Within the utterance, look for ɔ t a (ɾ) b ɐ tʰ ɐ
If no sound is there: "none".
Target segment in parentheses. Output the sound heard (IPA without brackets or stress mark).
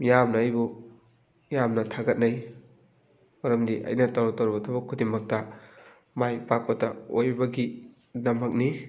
ɾ